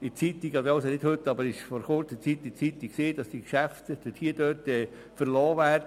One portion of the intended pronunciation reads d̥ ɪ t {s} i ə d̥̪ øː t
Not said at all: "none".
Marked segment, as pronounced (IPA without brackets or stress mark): h